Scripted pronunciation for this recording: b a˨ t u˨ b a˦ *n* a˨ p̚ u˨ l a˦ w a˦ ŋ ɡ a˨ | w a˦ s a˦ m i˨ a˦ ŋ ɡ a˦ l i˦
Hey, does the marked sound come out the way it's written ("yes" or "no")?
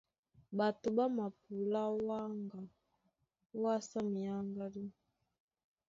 no